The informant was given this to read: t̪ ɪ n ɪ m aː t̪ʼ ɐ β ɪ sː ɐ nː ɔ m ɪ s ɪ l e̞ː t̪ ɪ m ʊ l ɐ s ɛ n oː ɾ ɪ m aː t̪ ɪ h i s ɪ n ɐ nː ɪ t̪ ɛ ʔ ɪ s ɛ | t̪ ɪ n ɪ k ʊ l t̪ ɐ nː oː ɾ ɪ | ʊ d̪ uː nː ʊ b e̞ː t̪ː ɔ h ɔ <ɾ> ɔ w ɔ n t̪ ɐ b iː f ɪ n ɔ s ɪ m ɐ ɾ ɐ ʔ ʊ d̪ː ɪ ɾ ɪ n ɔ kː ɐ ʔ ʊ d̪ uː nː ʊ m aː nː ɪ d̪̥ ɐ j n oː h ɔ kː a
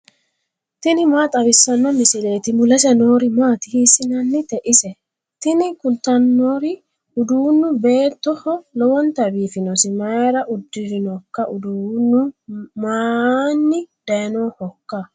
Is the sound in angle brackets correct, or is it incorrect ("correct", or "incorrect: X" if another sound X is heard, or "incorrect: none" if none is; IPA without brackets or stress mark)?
incorrect: l